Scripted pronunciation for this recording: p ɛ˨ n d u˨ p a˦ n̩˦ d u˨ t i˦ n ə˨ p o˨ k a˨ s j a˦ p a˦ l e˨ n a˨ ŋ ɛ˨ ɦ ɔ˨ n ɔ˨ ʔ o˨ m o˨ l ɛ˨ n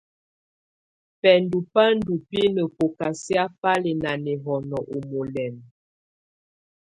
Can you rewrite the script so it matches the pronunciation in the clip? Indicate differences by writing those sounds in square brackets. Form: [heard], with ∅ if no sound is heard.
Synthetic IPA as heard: p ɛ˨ n d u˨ p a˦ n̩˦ d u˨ [p] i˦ n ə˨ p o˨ k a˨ s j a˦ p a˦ l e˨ n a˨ [n] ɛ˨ ɦ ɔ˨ n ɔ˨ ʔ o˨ m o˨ l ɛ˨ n